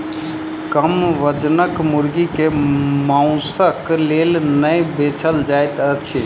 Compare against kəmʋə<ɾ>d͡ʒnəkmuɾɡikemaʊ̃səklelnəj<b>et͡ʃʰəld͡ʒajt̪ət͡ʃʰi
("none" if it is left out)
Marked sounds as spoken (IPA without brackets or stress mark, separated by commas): none, b